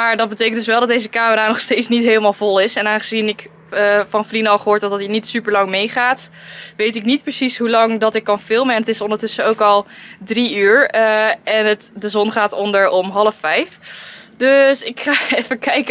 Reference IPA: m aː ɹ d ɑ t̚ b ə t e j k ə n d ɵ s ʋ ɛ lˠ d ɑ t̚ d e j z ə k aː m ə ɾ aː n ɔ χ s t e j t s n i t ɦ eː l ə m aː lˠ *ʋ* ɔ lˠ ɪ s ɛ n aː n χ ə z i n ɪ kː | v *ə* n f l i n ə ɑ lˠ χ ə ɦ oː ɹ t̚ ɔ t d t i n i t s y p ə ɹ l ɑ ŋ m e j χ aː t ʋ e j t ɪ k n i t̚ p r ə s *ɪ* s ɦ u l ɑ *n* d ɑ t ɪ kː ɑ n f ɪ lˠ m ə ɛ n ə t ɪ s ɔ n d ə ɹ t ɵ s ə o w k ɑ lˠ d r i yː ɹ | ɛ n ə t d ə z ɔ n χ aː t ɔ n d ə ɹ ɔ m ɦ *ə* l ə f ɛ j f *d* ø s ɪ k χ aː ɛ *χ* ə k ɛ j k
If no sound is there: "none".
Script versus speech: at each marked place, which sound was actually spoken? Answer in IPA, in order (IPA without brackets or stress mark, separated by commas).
v, ɑ, i, ŋ, ɑ, d, f